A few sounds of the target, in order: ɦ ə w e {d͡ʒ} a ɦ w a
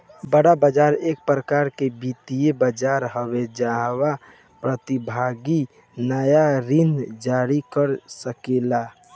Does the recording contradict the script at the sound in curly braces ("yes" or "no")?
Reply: no